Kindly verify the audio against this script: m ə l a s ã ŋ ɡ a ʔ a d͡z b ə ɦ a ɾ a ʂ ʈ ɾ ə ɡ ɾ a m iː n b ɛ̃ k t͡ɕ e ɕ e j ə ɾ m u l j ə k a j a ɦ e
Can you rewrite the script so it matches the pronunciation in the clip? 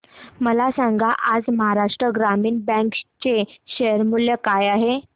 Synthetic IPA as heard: m ə l a s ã ŋ ɡ a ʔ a d͡z m ə ɦ a ɾ a ʂ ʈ ɾ ə ɡ ɾ a m iː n b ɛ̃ k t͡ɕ e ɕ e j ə ɾ m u l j ə k a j a ɦ e